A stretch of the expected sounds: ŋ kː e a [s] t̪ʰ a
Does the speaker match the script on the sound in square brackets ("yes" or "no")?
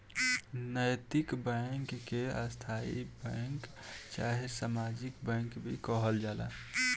yes